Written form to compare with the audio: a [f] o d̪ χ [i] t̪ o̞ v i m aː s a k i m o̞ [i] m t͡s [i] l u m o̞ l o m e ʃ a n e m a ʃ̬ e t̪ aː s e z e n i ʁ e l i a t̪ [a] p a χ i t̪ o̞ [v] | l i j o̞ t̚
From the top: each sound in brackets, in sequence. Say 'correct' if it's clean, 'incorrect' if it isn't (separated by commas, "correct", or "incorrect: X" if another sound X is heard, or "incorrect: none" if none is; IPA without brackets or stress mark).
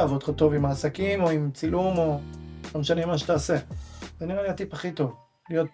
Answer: incorrect: v, incorrect: a, correct, correct, incorrect: i, correct